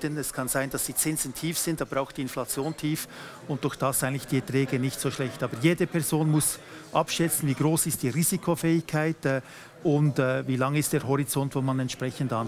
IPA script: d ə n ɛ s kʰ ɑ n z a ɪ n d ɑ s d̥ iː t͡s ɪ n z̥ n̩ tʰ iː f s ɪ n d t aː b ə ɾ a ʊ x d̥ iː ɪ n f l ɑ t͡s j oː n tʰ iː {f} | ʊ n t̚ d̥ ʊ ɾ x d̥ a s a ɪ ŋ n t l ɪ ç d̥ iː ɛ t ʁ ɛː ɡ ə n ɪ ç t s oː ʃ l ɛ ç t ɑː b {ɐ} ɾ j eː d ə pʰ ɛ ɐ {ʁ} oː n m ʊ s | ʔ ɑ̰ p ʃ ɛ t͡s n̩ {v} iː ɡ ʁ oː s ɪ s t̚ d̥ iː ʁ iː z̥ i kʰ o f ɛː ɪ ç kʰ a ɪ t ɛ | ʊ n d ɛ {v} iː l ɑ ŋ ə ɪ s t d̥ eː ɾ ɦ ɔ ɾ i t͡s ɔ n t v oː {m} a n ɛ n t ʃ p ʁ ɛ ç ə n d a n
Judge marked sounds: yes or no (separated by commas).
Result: yes, no, no, yes, yes, yes